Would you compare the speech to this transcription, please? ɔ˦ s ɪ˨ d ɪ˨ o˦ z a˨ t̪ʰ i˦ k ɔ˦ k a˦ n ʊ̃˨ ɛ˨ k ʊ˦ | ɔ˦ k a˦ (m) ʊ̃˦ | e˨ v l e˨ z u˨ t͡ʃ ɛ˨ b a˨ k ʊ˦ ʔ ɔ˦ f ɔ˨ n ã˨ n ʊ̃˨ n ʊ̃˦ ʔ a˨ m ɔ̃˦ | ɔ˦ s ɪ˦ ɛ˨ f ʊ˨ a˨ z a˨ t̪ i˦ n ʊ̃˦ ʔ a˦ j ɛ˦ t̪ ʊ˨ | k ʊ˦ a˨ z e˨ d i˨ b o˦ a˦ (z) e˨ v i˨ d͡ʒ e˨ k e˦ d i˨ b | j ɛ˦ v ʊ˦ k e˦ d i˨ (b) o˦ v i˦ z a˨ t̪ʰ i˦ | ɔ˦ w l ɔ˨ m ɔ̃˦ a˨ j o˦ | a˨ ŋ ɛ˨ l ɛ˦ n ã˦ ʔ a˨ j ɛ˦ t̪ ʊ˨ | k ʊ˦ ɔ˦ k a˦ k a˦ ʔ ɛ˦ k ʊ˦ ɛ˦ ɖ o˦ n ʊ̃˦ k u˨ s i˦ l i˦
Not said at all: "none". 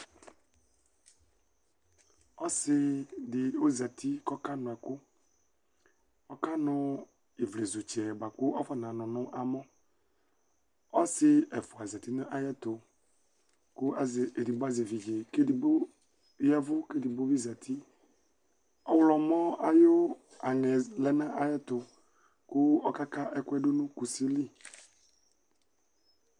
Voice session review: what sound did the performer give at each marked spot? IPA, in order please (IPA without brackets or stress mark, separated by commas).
n, z, b